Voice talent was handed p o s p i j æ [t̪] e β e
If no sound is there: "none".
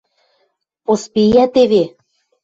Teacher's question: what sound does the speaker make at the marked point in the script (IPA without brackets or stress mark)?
t̪